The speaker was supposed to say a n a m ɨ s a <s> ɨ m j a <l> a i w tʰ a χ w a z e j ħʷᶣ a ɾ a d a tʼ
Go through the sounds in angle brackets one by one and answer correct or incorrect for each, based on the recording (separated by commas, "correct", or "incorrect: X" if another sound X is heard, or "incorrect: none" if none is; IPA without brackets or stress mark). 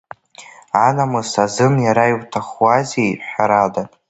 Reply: incorrect: z, incorrect: ɾ